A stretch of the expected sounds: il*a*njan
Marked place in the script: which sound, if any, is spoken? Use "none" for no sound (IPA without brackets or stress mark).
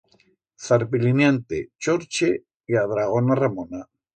i